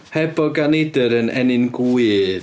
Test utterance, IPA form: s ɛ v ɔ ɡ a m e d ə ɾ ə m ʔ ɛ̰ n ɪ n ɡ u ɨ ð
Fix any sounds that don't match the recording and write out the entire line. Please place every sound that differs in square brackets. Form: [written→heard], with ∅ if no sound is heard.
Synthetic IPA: [s→h] ɛ [v→b] ɔ ɡ a [m→n] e d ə ɾ ə [m→n] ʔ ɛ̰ n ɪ n ɡ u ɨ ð